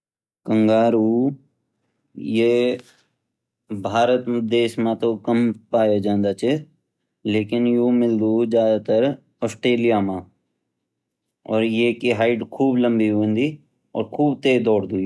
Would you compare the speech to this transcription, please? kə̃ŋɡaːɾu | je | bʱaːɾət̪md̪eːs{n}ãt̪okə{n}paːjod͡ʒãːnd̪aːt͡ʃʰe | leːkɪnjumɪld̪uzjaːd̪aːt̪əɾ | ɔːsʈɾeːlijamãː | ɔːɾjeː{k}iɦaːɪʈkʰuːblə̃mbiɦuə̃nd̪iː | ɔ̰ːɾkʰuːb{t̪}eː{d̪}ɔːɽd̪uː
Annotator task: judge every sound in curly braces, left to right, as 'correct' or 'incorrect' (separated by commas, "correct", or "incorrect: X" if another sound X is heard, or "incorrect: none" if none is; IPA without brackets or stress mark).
incorrect: m, incorrect: m, correct, correct, correct